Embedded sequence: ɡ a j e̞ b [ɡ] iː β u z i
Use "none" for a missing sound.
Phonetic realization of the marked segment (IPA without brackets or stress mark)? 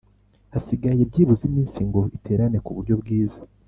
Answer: ɟ